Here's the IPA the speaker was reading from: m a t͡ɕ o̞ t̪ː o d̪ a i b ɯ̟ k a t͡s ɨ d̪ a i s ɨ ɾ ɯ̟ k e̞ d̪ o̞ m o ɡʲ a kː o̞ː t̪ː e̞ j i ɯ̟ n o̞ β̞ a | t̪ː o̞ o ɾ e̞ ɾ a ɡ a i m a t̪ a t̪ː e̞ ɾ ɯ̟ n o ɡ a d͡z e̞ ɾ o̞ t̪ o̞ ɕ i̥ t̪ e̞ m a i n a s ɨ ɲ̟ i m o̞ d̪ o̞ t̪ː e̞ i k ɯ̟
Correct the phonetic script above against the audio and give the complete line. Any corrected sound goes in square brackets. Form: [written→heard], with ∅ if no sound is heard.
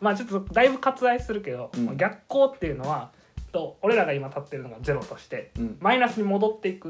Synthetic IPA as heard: m a t͡ɕ o̞ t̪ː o d̪ a i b ɯ̟ k a t͡s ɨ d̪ a i s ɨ ɾ ɯ̟ k e̞ d̪ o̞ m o ɡʲ a kː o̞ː t̪ː e̞ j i ɯ̟ n o̞ β̞ a | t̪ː o̞ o ɾ e̞ ɾ a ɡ a i m a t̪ a t̪ː e̞ ɾ ɯ̟ n o ɡ a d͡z e̞ ɾ o̞ t̪ o̞ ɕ i̥ t̪ e̞ m a i n a s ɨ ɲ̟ i m o̞ d̪ o̞ t̪ː e̞ i k ɯ̟